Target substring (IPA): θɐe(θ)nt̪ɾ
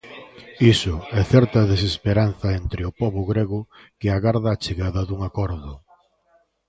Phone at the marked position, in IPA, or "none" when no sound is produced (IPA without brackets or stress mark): none